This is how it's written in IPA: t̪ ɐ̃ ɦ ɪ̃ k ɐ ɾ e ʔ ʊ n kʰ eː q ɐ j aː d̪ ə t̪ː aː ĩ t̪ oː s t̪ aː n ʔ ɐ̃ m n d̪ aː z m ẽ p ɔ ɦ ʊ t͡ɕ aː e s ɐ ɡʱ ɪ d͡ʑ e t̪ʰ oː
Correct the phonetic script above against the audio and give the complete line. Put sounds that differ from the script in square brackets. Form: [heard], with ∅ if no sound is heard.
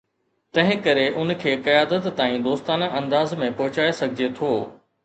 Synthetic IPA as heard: t̪ ɐ̃ ɦ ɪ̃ k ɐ ɾ e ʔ ʊ n kʰ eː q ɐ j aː d̪ ə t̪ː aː ĩ [d̪] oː s t̪ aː n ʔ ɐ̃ [∅] n d̪ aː z m ẽ p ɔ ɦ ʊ t͡ɕ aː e s ɐ ɡʱ ɪ d͡ʑ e t̪ʰ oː